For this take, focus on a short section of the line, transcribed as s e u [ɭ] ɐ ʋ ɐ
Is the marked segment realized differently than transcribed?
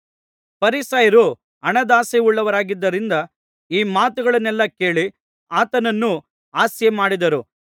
yes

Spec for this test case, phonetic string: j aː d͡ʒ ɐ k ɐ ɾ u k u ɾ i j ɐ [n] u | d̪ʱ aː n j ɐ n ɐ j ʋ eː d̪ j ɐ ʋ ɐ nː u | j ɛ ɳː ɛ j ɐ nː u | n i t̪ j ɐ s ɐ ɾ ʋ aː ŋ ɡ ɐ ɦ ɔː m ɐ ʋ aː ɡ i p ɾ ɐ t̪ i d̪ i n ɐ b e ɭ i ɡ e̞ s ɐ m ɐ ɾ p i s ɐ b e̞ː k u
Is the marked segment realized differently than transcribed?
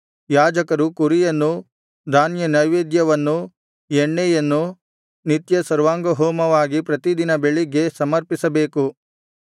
yes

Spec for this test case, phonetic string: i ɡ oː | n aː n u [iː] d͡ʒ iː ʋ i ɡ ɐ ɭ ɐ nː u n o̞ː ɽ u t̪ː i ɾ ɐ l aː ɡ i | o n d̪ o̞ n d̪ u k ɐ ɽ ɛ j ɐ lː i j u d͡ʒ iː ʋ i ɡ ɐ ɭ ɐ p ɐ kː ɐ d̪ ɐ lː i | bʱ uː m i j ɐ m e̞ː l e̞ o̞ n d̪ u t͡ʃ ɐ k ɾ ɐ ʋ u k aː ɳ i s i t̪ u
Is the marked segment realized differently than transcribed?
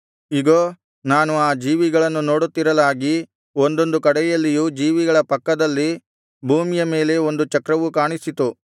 yes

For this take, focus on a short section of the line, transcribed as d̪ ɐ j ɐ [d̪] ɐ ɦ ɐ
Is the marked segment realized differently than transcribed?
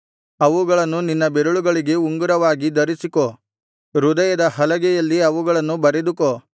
no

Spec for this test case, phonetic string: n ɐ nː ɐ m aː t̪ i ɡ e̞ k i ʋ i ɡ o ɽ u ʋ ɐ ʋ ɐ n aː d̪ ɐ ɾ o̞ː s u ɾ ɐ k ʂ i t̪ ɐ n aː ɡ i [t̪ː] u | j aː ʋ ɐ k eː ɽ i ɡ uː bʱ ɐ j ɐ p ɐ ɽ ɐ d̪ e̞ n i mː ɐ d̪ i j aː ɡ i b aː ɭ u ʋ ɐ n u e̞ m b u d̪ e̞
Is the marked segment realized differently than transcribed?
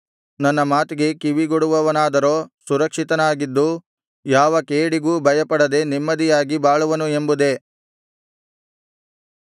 yes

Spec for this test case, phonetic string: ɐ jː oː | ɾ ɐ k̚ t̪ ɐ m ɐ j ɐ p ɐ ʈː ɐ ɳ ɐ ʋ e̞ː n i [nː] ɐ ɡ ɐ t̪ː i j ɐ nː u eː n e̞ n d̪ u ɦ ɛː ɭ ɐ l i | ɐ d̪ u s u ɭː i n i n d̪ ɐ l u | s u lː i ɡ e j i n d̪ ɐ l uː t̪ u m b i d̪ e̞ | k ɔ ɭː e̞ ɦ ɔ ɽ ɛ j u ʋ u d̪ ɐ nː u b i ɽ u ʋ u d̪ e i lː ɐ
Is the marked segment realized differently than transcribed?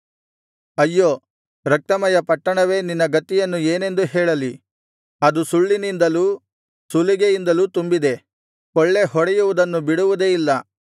no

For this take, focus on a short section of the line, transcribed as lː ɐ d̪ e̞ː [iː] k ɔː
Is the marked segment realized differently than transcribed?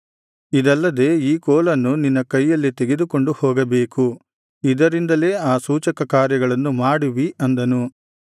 no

